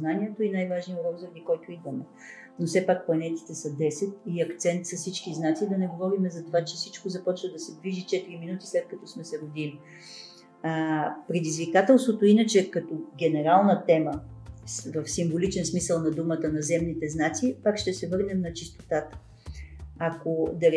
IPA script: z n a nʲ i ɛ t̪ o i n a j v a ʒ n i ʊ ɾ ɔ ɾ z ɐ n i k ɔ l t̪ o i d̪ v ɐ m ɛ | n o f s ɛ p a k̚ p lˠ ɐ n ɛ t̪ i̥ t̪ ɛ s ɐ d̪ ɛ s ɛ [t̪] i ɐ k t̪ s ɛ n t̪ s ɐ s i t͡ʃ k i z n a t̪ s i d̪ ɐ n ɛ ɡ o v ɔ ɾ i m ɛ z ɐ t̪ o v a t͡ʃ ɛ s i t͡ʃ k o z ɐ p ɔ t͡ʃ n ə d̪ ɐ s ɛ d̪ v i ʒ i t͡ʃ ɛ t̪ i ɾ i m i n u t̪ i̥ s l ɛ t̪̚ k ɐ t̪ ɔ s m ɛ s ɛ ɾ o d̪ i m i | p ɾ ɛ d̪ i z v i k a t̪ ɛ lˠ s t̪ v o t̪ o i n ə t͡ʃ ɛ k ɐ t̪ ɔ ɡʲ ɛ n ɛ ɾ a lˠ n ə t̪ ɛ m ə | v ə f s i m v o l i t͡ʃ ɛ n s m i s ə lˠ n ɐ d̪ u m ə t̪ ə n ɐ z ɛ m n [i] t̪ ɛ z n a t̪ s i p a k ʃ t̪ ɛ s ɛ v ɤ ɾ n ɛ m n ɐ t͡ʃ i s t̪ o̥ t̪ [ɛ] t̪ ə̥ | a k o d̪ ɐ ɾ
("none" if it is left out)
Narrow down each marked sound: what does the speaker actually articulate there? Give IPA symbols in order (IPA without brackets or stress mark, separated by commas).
t̪, i, a